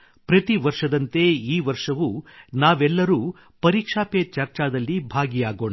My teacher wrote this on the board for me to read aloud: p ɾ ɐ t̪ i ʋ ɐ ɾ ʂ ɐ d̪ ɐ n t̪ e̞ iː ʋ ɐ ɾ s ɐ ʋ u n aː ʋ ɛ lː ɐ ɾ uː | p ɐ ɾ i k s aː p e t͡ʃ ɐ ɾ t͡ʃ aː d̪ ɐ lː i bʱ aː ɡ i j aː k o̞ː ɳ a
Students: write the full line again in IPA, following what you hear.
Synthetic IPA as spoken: p ɾ ɐ t̪ i ʋ ɐ ɾ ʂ ɐ d̪ ɐ n t̪ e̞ iː ʋ ɐ ɾ ʂ ɐ ʋ u n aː ʋ ɛ lː ɐ ɾ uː | p ɐ ɾ i k ʂ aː p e t͡ʃ ɐ ɾ t͡ʃ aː d̪ ɐ lː i bʱ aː ɡ i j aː ɡ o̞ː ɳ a